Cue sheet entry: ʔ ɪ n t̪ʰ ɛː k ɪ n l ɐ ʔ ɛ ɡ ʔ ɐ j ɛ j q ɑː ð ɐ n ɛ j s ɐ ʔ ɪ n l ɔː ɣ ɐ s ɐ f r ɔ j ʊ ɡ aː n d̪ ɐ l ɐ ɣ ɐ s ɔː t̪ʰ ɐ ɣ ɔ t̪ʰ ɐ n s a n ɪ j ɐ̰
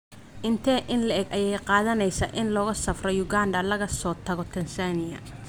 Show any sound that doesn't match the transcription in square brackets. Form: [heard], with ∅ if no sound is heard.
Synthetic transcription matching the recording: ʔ ɪ n t̪ʰ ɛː [ʔ] ɪ n l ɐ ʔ ɛ ɡ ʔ ɐ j ɛ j q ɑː ð ɐ n ɛ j s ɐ ʔ ɪ n l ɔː ɣ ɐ s ɐ f r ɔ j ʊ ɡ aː n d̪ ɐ l ɐ ɣ ɐ s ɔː t̪ʰ ɐ ɣ ɔ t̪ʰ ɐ n s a n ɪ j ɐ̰